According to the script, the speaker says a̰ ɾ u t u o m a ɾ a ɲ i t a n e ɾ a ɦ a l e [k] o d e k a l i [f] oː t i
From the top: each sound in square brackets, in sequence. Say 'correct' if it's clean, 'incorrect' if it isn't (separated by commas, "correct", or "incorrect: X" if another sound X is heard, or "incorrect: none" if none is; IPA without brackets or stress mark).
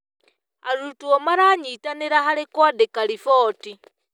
correct, correct